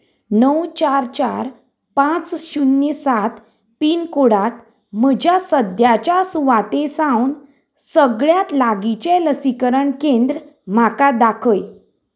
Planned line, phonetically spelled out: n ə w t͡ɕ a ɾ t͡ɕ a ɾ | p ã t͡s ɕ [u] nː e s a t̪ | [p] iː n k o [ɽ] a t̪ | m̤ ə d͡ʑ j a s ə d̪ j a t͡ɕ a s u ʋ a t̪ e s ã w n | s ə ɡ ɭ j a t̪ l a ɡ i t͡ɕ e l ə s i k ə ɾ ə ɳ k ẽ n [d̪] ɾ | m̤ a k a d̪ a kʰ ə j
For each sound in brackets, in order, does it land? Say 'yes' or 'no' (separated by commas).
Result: yes, yes, yes, yes